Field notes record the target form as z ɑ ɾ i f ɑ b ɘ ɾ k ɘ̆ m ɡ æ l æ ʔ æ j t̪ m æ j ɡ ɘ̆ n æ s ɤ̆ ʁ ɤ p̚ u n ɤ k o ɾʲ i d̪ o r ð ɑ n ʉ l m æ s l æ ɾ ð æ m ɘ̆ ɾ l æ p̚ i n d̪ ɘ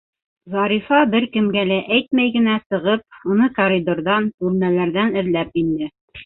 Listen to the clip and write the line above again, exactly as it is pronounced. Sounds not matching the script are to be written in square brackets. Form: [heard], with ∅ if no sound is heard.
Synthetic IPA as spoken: z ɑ ɾ i f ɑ b ɘ ɾ k ɘ̆ m ɡ æ l æ ʔ æ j t̪ m æ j ɡ ɘ̆ n æ s ɤ̆ ʁ ɤ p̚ u n ɤ k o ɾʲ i d̪ o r ð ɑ n ʉ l m æ [∅] l æ ɾ ð æ [n] ɘ̆ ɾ l æ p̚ i n d̪ ɘ